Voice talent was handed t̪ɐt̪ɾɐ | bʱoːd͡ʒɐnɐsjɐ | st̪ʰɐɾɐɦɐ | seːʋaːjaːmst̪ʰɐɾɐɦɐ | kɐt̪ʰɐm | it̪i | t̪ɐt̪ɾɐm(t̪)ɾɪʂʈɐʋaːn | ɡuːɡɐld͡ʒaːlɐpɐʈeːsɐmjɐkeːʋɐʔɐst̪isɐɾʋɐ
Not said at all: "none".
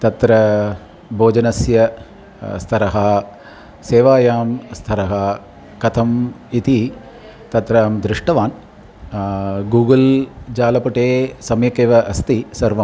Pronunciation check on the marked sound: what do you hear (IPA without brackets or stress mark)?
d̪